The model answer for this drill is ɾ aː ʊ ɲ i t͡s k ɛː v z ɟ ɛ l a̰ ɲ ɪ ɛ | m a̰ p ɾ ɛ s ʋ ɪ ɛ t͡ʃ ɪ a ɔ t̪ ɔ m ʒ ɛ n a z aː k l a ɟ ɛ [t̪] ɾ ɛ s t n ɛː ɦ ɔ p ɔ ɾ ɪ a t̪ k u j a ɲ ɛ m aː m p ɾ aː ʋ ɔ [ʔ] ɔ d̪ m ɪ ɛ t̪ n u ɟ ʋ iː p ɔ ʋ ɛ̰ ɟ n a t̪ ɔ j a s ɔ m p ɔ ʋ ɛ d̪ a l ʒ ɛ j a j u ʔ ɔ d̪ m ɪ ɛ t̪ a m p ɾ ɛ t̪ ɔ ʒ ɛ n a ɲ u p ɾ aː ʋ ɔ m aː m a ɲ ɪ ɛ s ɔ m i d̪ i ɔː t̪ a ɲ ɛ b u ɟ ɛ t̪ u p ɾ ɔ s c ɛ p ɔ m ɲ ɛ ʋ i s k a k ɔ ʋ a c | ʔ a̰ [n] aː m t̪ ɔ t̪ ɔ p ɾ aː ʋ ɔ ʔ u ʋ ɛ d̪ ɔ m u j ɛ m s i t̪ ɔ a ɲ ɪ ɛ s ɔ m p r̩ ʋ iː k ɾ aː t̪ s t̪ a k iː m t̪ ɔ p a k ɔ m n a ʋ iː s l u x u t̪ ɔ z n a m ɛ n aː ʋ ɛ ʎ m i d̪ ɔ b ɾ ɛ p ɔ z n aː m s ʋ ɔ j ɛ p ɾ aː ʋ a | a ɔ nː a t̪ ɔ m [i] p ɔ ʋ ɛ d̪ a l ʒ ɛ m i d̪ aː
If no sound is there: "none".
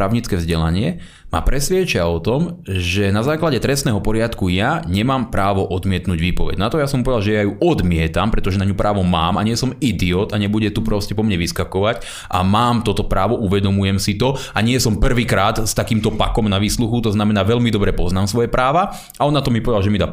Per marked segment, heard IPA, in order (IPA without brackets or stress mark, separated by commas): t̪, ʔ, m, i